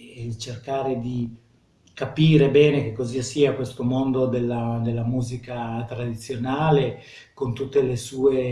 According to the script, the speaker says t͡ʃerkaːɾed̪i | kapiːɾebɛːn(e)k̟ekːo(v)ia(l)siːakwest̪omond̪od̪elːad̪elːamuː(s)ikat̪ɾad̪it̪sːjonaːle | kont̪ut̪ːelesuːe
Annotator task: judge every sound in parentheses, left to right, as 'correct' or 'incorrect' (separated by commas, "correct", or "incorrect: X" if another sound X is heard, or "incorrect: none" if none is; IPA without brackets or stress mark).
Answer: correct, incorrect: z, incorrect: none, incorrect: z